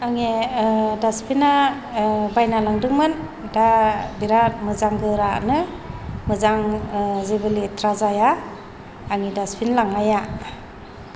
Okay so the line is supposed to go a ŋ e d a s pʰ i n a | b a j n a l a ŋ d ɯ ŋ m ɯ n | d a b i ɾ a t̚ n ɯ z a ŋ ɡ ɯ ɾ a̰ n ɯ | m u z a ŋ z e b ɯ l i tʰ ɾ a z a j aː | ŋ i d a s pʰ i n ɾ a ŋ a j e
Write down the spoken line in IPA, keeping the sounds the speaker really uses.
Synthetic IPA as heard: a ŋ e d a s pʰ i n a | b a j n a l a ŋ d ɯ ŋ m ɯ n | d a b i ɾ a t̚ m ɯ z a ŋ ɡ ɯ ɾ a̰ n ɯ | m ɯ z a ŋ z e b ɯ l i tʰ ɾ a z a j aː | ŋ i d a s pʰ i n l a ŋ a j a